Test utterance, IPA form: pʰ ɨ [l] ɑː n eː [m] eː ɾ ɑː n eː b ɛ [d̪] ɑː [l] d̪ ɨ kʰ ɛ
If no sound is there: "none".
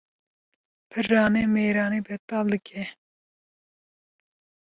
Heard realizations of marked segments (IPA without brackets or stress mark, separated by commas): r, m, t̪, l